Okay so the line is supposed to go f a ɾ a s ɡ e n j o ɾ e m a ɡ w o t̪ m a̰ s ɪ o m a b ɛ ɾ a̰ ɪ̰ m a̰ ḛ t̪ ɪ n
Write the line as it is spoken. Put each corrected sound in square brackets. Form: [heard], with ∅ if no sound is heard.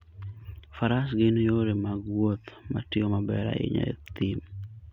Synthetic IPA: f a ɾ a s ɡ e n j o ɾ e m a ɡ w o t̪ m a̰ [t] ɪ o m a b ɛ ɾ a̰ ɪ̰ [ɲ] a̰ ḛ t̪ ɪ [m]